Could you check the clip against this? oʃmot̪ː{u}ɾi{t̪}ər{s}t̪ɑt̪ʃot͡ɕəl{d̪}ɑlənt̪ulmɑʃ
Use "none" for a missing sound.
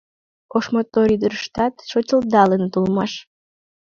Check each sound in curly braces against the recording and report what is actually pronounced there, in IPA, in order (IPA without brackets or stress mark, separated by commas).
o, d̪, ʃ, d̪